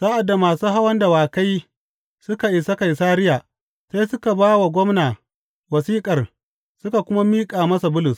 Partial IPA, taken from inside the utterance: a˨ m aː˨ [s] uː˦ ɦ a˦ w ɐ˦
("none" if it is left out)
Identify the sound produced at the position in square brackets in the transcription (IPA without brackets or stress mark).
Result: s